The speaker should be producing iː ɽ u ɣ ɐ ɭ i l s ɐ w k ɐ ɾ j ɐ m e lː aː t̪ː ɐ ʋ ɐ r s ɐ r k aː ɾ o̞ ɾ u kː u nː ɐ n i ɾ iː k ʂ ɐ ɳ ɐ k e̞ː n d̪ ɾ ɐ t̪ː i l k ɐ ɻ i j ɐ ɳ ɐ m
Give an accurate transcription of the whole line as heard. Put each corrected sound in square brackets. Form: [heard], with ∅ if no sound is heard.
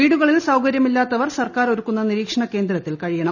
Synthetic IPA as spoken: iː ɽ u ɣ ɐ ɭ i l s ɐ w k ɐ ɾ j ɐ m [i] lː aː t̪ː ɐ ʋ ɐ r s ɐ r k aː ɾ o̞ ɾ u kː u nː ɐ n i ɾ iː k ʂ ɐ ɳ ɐ k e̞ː n d̪ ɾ ɐ t̪ː i l k ɐ ɻ i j ɐ ɳ ɐ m